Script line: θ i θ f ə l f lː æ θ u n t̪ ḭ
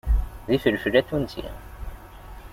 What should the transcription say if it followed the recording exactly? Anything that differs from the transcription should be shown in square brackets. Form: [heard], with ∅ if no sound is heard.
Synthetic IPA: [ð] i [∅] f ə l f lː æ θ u n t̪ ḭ